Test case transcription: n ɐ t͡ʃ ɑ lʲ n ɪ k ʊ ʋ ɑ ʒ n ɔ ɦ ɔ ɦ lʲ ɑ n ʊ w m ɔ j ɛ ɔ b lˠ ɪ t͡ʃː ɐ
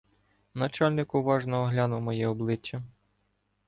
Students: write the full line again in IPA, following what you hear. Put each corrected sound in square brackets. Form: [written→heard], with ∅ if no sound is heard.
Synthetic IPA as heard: n ɐ t͡ʃ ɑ lʲ n ɪ k ʊ ʋ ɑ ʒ n ɔ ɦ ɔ ɦ lʲ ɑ n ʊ w m ɔ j ɛ ɔ b lˠ ɪ t͡ʃː ɐ